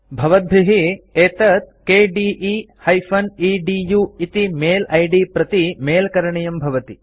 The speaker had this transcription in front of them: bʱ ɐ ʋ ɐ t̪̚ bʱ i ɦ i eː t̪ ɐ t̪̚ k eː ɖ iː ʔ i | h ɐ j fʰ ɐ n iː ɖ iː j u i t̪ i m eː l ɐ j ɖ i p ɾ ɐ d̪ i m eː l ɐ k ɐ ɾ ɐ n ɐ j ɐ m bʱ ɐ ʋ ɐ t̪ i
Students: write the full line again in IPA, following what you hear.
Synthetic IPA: bʱ ɐ ʋ ɐ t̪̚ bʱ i ɦ i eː t̪ ɐ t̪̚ k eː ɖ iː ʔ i | h ɐ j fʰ ɐ n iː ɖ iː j u i t̪ i m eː l ɐ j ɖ i p ɾ ɐ t̪ i m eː l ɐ k ɐ ɾ ɐ ɳ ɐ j ɐ m bʱ ɐ ʋ ɐ t̪ i

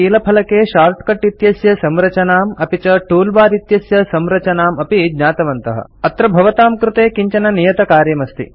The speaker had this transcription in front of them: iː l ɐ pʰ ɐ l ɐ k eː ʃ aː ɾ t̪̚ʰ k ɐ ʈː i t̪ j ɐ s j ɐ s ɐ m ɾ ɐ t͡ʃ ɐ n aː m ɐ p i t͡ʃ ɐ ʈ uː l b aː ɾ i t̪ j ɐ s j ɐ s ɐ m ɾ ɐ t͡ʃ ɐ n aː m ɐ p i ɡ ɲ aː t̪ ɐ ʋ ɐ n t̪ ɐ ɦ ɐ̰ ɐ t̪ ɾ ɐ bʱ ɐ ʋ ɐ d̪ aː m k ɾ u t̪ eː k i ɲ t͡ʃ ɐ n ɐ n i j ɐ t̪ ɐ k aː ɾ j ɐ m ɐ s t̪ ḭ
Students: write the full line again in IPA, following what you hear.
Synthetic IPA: iː l ɐ pʰ ɐ l ɐ k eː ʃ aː ɾ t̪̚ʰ k ɐ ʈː i t̪ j ɐ s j ɐ s ɐ m ɾ ɐ t͡ʃ ɐ n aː m ɐ p i t͡ʃ ɐ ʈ uː l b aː ɾ i t̪ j ɐ s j ɐ s ɐ m ɾ ɐ t͡ʃ ɐ n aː m ɐ p i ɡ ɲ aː t̪ ɐ ʋ ɐ n t̪ ɐ ɦ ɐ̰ ɐ t̪ ɾ ɐ bʱ ɐ ʋ ɐ t̪ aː m k ɾ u t̪ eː k i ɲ t͡ʃ ɐ n ɐ n i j ɐ t̪ ɐ k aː ɾ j ɐ m ɐ s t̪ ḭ

